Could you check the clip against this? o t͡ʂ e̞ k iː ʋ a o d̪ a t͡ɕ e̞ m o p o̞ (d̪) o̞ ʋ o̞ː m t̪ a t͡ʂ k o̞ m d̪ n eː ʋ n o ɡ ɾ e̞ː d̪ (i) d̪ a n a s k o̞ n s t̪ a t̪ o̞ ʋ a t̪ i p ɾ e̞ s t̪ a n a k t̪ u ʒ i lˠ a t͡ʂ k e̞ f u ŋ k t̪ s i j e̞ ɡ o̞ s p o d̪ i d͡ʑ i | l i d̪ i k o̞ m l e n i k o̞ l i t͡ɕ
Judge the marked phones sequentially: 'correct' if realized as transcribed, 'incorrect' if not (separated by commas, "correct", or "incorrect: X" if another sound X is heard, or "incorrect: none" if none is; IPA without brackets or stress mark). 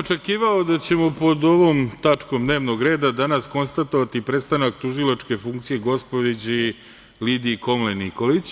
correct, incorrect: a